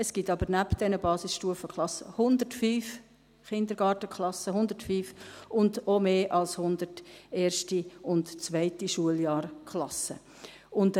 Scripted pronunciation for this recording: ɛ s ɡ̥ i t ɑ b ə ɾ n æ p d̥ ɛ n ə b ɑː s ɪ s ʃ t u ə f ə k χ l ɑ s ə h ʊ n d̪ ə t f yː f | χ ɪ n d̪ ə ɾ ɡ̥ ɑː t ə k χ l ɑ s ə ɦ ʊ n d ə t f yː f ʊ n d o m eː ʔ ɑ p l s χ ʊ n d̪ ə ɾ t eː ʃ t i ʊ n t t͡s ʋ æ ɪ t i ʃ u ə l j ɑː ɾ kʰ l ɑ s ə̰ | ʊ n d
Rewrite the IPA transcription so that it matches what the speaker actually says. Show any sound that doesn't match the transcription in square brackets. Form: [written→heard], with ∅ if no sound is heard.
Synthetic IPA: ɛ s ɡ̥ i t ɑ b ə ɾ n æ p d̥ ɛ n ə b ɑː s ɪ s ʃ t u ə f ə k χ l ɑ s ə h ʊ n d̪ ə t f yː f | χ ɪ n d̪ ə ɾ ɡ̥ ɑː t ə k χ l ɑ s ə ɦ ʊ n d ə t f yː f ʊ n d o m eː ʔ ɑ [p→∅] l s [χ→h] ʊ n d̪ ə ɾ t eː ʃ t i ʊ n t t͡s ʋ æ ɪ t i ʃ u ə l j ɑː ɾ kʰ l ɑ s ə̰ | ʊ n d